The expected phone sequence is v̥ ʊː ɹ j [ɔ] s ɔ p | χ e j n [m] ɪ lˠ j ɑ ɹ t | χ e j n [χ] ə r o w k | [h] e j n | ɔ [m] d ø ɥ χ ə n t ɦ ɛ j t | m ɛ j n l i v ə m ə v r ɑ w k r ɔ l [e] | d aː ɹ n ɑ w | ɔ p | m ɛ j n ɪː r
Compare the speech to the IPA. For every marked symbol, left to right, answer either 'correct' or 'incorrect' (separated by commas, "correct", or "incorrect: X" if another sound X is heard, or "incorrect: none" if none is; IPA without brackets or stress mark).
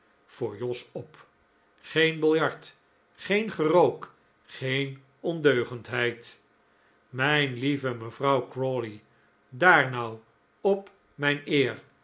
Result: correct, incorrect: b, correct, incorrect: χ, incorrect: n, incorrect: i